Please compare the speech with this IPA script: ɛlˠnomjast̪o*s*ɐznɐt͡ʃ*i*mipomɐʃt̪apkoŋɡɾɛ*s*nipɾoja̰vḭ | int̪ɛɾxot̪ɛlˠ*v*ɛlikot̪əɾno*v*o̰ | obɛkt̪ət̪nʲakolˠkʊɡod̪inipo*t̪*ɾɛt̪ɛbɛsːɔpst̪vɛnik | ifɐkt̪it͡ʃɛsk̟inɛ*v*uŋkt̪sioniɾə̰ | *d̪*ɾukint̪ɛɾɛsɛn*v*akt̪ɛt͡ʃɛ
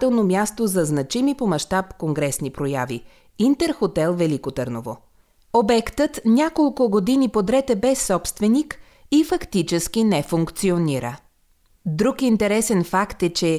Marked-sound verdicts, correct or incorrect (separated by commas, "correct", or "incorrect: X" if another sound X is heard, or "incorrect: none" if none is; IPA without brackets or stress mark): incorrect: z, correct, correct, correct, correct, incorrect: d̪, incorrect: f, correct, incorrect: f